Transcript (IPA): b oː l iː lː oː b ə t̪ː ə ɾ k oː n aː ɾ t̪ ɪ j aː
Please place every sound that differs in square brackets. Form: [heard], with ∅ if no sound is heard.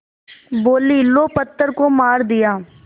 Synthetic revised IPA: b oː l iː [l] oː [p] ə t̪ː ə ɾ k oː [m] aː ɾ [d̪] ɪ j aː